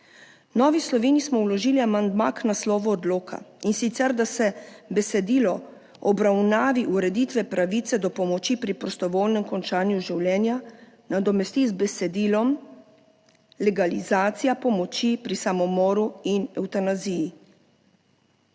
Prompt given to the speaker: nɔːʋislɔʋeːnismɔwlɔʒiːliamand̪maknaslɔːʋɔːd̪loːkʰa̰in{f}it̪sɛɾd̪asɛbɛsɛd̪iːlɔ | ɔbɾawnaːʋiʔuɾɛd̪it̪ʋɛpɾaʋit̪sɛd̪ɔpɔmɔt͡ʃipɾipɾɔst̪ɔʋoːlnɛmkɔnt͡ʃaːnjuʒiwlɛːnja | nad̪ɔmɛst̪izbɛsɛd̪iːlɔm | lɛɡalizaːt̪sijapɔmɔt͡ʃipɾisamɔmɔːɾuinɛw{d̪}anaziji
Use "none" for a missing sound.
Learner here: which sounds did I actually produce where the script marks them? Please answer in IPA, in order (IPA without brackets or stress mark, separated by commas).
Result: s, t̪